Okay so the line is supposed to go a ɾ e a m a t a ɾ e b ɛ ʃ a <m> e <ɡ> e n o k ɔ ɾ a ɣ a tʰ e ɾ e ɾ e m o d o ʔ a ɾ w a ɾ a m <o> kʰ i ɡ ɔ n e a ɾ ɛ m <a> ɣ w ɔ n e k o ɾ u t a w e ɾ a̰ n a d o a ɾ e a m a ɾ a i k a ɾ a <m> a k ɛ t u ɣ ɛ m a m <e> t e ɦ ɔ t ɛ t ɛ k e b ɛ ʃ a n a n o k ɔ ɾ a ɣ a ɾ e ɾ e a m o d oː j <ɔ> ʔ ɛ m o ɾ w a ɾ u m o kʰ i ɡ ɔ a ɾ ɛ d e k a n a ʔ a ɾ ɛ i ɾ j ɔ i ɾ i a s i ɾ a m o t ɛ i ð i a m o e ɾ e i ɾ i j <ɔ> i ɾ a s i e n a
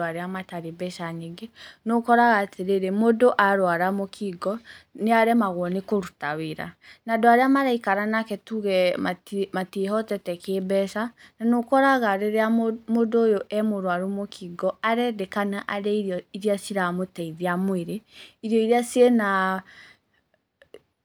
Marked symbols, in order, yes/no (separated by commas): no, yes, yes, yes, no, no, no, yes